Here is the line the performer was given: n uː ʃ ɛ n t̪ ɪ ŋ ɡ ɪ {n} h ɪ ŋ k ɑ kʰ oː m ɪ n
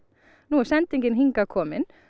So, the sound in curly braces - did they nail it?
yes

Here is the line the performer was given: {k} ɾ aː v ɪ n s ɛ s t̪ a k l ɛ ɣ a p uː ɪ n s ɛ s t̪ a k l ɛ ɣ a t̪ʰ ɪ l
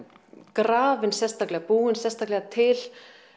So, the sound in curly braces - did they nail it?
yes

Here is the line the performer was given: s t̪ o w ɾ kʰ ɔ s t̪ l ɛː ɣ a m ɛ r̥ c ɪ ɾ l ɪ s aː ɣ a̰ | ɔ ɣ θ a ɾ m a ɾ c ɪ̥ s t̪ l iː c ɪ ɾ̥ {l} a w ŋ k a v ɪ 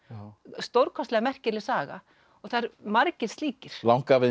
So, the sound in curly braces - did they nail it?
yes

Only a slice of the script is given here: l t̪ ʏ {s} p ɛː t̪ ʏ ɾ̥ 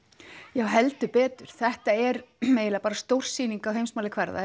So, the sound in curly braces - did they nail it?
no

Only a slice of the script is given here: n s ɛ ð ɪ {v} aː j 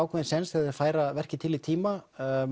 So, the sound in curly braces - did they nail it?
no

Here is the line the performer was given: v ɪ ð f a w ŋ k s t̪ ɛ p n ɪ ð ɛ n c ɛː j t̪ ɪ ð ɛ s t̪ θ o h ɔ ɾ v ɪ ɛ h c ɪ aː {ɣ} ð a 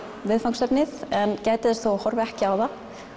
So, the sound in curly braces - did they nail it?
no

